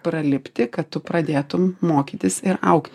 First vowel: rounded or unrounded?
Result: unrounded